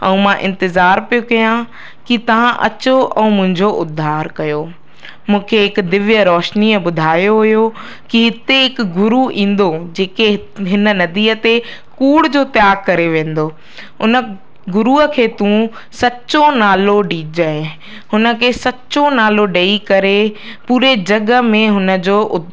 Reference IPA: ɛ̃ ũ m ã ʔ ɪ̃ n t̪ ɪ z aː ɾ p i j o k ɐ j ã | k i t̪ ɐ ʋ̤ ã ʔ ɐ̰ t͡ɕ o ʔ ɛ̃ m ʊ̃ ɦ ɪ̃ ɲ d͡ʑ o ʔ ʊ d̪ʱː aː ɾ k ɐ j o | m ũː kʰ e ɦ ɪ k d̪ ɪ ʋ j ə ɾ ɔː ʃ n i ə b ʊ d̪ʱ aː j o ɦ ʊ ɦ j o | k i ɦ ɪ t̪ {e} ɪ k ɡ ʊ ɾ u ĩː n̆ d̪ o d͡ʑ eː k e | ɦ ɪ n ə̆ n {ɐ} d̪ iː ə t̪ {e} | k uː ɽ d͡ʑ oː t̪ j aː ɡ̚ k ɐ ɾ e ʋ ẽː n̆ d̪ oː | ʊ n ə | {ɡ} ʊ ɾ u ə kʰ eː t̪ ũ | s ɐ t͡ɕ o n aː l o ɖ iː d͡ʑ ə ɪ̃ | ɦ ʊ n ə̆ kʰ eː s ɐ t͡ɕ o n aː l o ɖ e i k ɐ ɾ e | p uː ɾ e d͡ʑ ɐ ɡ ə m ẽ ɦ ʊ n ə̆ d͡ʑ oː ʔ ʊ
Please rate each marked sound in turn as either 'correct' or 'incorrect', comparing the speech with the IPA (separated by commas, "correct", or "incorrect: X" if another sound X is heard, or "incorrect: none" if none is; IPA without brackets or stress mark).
correct, correct, correct, correct